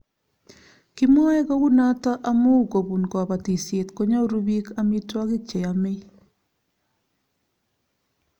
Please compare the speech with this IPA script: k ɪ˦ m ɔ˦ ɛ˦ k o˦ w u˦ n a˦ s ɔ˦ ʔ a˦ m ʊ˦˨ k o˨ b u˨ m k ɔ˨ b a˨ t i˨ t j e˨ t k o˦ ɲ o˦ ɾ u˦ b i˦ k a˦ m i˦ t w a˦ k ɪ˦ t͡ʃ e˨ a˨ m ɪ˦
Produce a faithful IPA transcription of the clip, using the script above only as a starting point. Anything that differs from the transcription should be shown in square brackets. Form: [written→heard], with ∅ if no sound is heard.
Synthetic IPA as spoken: k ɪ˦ m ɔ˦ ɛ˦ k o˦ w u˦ n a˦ [s→t] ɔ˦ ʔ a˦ m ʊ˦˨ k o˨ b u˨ [m→n] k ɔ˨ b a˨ t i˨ [t→s] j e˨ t k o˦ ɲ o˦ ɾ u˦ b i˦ k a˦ m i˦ t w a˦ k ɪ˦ t͡ʃ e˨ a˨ m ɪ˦